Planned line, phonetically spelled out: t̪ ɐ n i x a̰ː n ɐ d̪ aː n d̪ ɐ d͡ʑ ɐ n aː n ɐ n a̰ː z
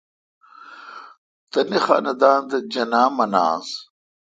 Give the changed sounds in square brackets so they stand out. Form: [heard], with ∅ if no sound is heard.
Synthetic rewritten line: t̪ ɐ n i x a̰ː n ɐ d̪ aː n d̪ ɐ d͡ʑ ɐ n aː [m] ɐ n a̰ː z